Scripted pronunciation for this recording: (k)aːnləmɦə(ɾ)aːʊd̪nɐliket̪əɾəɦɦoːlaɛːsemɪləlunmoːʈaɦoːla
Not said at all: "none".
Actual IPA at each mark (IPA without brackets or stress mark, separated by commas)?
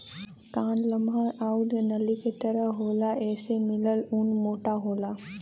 k, ɾ